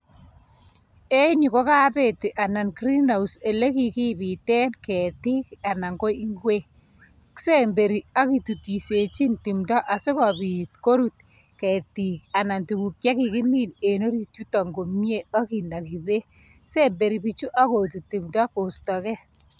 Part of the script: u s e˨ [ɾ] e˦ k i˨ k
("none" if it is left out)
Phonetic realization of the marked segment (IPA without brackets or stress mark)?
l